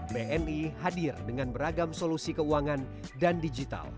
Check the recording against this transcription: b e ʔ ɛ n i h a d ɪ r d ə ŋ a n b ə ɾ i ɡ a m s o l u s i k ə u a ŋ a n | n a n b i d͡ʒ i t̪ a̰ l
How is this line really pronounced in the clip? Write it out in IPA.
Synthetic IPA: b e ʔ ɛ n i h a d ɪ r d ə ŋ a n b ə ɾ a ɡ a m s o l u s i k ə u a ŋ a n | d a n d i d͡ʒ i t̪ a̰ l